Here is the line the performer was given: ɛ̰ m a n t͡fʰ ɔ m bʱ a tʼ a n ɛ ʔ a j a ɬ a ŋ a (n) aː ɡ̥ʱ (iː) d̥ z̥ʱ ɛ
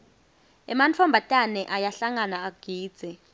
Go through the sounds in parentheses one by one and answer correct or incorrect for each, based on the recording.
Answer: correct, correct

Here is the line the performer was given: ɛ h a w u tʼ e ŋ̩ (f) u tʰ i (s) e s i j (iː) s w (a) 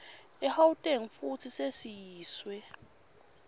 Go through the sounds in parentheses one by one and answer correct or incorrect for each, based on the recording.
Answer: correct, correct, correct, incorrect: ɛ

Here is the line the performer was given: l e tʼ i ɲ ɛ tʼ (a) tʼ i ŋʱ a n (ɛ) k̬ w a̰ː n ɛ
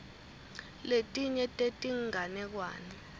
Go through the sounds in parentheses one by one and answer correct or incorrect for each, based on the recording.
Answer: incorrect: e, correct

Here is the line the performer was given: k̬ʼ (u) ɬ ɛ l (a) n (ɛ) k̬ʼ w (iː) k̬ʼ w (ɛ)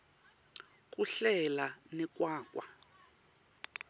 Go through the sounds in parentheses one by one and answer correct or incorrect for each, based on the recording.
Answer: correct, correct, correct, incorrect: aː, incorrect: a

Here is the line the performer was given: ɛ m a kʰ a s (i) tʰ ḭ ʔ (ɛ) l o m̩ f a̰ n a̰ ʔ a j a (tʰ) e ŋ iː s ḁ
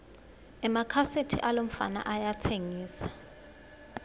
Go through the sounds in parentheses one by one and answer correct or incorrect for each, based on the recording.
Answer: incorrect: e, incorrect: a, correct

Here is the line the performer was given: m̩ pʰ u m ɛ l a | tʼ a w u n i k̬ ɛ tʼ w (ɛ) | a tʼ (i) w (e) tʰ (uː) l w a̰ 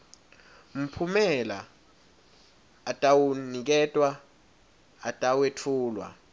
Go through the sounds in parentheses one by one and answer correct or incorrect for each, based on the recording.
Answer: incorrect: a, incorrect: a, correct, correct

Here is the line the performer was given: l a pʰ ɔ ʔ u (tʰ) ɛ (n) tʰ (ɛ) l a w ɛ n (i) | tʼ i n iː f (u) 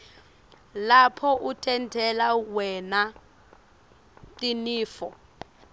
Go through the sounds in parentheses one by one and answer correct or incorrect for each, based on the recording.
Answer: correct, correct, correct, incorrect: a, incorrect: ɔ

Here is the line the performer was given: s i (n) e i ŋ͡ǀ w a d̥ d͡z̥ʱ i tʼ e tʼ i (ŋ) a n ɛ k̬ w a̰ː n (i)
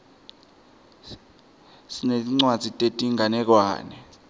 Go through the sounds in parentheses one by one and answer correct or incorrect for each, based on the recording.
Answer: correct, correct, incorrect: ɛ

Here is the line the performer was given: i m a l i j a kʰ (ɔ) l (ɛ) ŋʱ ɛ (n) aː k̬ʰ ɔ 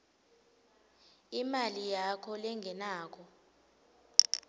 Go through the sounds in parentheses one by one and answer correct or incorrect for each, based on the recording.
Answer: correct, correct, correct

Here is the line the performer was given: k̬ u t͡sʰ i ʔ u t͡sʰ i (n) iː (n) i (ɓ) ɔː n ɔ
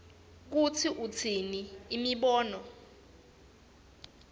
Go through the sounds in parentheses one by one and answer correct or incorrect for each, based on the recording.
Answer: correct, incorrect: m, correct

